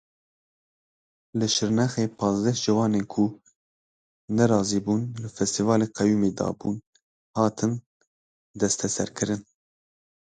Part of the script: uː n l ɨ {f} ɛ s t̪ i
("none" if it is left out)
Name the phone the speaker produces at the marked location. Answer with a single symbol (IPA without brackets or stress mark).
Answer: f